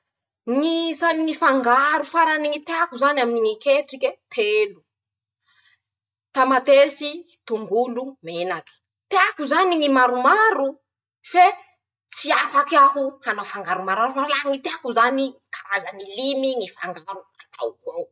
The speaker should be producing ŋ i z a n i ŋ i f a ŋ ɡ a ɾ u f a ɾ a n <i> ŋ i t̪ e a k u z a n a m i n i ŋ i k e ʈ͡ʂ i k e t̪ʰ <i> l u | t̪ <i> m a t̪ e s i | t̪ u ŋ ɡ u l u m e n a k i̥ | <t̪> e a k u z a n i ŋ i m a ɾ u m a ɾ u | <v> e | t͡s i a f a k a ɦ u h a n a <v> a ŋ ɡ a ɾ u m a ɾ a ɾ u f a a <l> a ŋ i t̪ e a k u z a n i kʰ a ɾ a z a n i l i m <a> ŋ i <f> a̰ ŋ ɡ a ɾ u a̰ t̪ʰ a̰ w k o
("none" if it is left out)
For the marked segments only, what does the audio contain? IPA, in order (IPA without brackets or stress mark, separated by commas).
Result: i, e, a, t̪, f, f, l, i, f